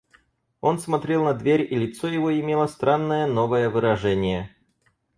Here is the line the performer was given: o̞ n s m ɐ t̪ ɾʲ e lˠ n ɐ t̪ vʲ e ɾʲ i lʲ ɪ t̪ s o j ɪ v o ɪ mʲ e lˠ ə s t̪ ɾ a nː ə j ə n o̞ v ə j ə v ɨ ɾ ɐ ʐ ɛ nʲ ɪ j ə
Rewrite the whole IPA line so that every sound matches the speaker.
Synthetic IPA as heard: o̞ n s m ɐ t̪ ɾʲ e lˠ n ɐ d̪ vʲ e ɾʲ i lʲ ɪ t̪ s o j ɪ v o ɪ mʲ e lˠ ə s t̪ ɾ a nː ə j ə n o̞ v ə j ə v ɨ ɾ ɐ ʐ ɛ nʲ ɪ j ə